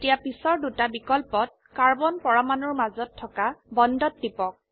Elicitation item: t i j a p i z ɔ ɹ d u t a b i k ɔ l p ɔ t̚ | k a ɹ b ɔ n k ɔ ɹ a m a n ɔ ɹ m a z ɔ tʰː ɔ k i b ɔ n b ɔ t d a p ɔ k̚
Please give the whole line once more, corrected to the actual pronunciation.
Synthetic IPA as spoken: t i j a p i s ɔ ɹ d u t a b i k ɔ l p ɔ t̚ | k a ɹ b ɔ n p ɔ ɹ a m a n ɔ ɹ m a z ɔ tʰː ɔ k a b ɔ n d ɔ t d i p ɔ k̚